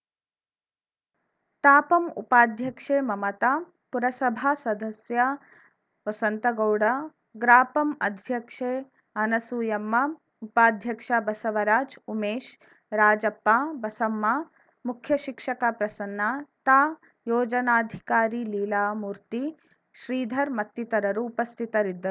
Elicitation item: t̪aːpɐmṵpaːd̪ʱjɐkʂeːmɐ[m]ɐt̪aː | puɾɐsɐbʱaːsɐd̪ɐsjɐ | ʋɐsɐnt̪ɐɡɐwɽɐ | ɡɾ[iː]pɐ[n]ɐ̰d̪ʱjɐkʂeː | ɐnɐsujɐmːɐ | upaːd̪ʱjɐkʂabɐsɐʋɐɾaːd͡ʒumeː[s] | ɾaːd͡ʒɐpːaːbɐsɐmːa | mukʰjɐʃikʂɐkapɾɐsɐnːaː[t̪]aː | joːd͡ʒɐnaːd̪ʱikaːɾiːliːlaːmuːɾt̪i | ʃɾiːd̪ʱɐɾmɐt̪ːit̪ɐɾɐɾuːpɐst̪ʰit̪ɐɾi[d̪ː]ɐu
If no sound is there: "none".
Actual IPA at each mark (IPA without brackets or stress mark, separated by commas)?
m, aː, m, ʃ, t̪, d̪ː